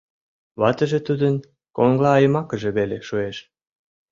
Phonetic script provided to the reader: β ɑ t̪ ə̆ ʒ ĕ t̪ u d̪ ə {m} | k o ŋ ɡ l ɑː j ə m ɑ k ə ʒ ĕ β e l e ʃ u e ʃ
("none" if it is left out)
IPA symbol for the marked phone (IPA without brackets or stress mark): n